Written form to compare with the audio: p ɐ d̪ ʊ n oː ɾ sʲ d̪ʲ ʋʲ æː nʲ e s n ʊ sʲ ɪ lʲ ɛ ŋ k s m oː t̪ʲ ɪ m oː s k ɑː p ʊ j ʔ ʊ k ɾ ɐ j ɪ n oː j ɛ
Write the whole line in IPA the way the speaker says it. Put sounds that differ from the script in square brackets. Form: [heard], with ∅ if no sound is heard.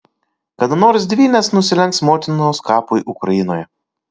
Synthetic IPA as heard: [k] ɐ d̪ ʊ n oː ɾ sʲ d̪ʲ ʋʲ [iː] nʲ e s n ʊ sʲ ɪ lʲ ɛ ŋ k s m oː t̪ʲ ɪ [n] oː s k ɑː p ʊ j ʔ ʊ k ɾ ɐ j ɪ n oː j ɛ